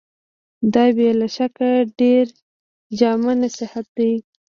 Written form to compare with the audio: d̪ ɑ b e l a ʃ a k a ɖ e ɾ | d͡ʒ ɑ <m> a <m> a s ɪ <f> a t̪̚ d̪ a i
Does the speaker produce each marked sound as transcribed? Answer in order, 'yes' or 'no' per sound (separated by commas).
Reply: yes, no, no